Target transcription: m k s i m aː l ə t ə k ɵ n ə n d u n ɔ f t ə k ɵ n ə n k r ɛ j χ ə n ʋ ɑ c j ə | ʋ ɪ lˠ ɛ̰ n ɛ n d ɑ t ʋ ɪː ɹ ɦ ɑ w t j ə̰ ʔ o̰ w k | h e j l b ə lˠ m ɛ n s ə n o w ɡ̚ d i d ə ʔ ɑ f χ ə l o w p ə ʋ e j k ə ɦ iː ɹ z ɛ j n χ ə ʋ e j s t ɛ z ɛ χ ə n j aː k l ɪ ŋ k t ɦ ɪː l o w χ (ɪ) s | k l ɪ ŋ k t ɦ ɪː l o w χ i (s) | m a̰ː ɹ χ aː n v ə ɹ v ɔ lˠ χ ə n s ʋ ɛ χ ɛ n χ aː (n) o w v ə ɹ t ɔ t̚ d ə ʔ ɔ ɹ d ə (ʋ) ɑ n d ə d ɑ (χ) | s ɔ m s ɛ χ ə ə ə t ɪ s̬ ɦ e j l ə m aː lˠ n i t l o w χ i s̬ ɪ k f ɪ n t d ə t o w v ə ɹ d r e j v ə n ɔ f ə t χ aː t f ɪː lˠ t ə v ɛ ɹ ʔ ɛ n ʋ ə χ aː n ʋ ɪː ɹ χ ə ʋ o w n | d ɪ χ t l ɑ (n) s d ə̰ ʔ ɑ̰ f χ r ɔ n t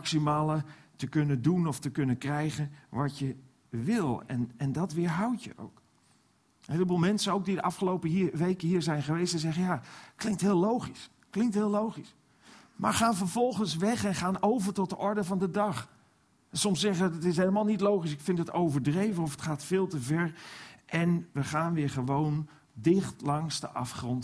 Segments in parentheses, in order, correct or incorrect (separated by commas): incorrect, correct, correct, incorrect, correct, incorrect